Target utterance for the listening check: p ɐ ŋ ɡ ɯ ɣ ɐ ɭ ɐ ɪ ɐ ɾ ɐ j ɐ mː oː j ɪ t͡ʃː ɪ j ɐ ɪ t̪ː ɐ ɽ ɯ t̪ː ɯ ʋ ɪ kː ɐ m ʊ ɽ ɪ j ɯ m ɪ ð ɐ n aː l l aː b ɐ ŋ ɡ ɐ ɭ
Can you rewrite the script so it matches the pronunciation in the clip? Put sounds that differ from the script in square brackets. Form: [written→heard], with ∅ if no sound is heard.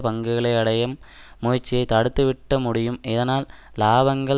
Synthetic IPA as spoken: p ɐ ŋ ɡ ɯ ɣ ɐ ɭ ɐ ɪ ɐ [ɾ→ɽ] ɐ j ɐ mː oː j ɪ t͡ʃː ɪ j ɐ ɪ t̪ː ɐ ɽ ɯ t̪ː ɯ ʋ ɪ [kː→ʈː] ɐ m ʊ ɽ ɪ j ɯ m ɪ ð ɐ n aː l l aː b ɐ ŋ ɡ ɐ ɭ

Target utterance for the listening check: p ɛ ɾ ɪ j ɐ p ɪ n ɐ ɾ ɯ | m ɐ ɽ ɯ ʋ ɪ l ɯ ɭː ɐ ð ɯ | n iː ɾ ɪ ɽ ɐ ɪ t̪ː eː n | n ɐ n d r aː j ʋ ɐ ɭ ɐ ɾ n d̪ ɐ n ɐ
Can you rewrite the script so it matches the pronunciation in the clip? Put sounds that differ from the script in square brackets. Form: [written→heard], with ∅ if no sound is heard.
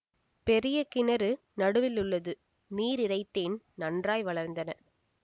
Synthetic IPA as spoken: p ɛ ɾ ɪ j ɐ [p→k] ɪ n ɐ ɾ ɯ | [m→n] ɐ ɽ ɯ ʋ ɪ l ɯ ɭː ɐ ð ɯ | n iː ɾ ɪ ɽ ɐ ɪ t̪ː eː n | n ɐ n d r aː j ʋ ɐ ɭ ɐ ɾ n d̪ ɐ n ɐ

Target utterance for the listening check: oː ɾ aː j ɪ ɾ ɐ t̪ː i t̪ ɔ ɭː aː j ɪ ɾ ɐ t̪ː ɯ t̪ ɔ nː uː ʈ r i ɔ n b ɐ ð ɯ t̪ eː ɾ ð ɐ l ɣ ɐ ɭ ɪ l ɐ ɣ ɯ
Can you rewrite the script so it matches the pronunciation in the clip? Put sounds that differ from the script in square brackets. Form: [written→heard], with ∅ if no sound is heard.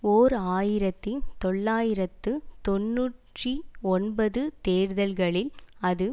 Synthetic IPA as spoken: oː ɾ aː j ɪ ɾ ɐ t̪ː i t̪ ɔ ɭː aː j ɪ ɾ ɐ t̪ː ɯ t̪ ɔ nː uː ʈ r i ɔ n b ɐ ð ɯ t̪ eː ɾ ð ɐ l ɣ ɐ ɭ ɪ l ɐ [ɣ→ð] ɯ

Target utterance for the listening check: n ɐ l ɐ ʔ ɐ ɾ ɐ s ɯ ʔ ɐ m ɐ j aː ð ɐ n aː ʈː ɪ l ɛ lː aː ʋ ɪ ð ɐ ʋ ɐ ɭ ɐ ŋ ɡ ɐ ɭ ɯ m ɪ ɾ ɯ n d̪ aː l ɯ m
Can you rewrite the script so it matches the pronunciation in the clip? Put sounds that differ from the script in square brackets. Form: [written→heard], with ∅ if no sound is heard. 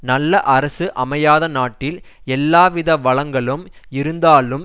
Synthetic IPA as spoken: n ɐ [l→lː] ɐ ʔ ɐ ɾ ɐ s ɯ ʔ ɐ m ɐ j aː ð ɐ n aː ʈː ɪ l ɛ lː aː ʋ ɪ ð ɐ ʋ ɐ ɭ ɐ ŋ ɡ ɐ ɭ ɯ m ɪ ɾ ɯ n d̪ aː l ɯ m

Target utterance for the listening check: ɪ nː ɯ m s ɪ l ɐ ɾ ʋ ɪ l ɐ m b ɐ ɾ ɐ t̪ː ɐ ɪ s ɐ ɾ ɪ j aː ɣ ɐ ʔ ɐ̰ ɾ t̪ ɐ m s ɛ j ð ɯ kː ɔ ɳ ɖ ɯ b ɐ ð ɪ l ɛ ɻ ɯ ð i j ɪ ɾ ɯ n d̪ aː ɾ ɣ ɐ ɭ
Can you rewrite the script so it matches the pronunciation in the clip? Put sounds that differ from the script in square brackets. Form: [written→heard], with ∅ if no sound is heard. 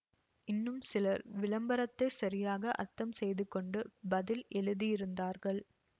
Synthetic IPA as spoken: ɪ nː ɯ m s ɪ l ɐ ɾ ʋ ɪ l ɐ m b ɐ ɾ ɐ t̪ː ɐ ɪ s ɐ ɾ ɪ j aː ɣ ɐ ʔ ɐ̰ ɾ t̪ ɐ m s ɛ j ð ɯ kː ɔ ɳ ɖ ɯ b ɐ ð ɪ l ɛ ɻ ɯ ð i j ɪ ɾ ɯ n d̪ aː ɾ ɣ ɐ ɭ

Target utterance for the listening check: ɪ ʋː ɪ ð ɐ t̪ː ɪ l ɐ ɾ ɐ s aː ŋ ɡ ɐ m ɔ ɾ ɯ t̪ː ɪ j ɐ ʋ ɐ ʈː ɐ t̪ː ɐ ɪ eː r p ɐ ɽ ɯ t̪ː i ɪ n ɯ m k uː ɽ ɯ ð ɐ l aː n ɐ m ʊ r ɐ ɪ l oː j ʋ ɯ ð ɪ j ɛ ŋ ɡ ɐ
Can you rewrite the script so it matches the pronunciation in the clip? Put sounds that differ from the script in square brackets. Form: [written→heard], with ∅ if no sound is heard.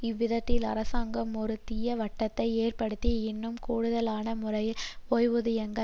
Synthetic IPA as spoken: ɪ ʋː ɪ ð ɐ t̪ː ɪ l ɐ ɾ ɐ s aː ŋ ɡ ɐ m ɔ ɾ ɯ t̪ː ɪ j ɐ ʋ ɐ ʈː ɐ t̪ː ɐ ɪ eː r p ɐ ɽ ɯ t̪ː i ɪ [n→nː] ɯ m k uː ɽ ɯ ð ɐ l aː n ɐ m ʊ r ɐ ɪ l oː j ʋ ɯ ð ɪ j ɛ ŋ ɡ ɐ

